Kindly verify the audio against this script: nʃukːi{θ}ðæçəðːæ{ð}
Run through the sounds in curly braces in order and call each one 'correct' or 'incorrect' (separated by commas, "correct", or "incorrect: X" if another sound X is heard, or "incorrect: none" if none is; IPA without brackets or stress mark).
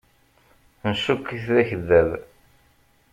correct, correct